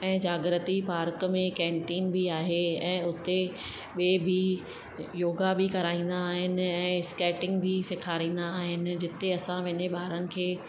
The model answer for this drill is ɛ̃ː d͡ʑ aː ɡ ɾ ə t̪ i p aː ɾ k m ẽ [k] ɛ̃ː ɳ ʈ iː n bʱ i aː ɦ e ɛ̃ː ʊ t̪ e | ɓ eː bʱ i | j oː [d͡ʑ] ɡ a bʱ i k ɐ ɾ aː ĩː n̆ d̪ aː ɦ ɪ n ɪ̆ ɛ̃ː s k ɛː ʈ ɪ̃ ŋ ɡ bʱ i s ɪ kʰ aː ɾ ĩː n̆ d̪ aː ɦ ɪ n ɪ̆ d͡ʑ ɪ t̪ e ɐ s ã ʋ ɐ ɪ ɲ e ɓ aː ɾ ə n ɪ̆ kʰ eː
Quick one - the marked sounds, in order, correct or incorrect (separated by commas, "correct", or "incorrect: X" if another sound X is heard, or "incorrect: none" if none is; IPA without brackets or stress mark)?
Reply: correct, incorrect: none